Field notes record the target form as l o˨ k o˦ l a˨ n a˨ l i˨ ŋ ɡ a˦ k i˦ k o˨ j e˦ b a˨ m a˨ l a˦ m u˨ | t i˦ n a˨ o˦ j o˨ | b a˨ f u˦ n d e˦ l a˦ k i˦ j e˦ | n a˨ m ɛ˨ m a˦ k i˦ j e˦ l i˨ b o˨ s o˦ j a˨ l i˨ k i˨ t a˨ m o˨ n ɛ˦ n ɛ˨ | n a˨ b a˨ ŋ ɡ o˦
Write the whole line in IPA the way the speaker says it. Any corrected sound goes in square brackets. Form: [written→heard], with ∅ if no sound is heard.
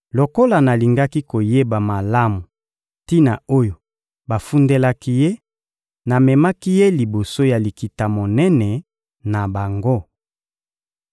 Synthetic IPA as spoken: l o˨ k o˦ l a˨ n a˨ l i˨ ŋ ɡ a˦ k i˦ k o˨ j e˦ b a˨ m a˨ l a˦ m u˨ | t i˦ n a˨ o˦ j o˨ | b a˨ f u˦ n d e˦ l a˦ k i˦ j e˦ | n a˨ m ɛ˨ m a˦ k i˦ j e˦ l i˨ b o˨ s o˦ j a˨ l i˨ k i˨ t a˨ m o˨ n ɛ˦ n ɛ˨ | n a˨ b a˨ ŋ ɡ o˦